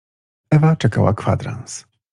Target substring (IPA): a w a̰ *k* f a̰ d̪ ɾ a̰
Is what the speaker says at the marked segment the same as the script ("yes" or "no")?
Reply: yes